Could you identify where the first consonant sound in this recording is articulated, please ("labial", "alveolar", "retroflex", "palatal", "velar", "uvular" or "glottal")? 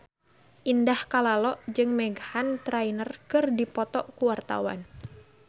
glottal